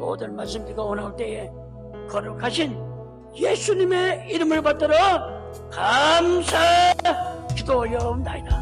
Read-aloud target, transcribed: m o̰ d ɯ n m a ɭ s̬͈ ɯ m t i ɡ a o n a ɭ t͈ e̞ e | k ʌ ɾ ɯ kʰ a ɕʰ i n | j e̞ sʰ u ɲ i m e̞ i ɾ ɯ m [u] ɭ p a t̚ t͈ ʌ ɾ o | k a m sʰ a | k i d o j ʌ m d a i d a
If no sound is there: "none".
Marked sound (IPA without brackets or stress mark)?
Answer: ɯ